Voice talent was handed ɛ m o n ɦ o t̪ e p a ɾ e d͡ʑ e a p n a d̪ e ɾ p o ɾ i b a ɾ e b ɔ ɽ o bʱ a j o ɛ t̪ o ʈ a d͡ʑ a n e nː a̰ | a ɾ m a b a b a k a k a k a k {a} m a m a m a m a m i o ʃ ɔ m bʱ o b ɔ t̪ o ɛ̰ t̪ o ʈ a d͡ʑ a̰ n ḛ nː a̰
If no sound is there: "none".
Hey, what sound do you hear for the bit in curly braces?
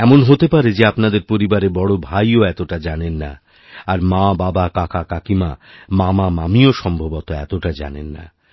i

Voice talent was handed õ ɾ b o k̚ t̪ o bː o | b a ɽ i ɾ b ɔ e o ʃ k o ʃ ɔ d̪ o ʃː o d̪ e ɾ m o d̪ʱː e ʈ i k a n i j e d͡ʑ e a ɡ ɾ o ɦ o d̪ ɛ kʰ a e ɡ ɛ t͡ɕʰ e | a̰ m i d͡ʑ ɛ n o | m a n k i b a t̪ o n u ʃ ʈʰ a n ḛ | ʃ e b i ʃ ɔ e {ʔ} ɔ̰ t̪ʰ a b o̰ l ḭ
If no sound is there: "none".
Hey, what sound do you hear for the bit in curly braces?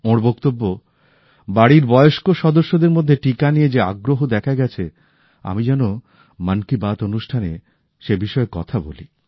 k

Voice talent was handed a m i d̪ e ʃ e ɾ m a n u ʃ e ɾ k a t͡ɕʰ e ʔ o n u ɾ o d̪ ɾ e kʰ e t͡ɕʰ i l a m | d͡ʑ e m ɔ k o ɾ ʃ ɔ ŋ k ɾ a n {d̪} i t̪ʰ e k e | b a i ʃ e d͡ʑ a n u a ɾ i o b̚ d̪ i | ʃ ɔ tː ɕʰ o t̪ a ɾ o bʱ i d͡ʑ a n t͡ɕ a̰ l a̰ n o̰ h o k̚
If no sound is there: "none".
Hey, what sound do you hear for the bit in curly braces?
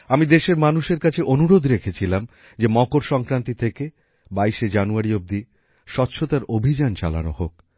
t̪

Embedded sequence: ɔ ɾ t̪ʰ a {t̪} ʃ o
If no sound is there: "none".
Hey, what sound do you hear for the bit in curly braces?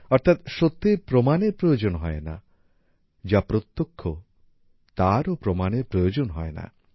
t̪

